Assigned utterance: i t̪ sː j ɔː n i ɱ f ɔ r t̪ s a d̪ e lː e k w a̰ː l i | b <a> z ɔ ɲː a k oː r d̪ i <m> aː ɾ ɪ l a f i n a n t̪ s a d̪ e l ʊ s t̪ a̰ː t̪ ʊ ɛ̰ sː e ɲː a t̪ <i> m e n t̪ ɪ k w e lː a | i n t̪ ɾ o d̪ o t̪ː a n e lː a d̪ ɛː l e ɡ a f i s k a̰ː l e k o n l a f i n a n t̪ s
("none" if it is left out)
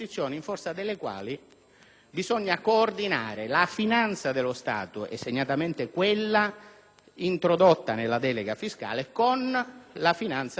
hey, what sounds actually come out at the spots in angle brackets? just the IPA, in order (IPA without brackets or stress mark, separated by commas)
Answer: i, n, a